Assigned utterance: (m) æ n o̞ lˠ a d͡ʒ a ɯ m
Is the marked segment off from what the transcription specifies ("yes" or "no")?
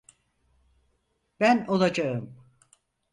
yes